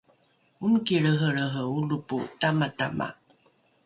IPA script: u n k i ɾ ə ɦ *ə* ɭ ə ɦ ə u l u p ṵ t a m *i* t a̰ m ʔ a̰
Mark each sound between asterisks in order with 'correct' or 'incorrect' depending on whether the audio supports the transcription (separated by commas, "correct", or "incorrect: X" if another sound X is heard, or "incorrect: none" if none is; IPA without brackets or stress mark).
correct, incorrect: a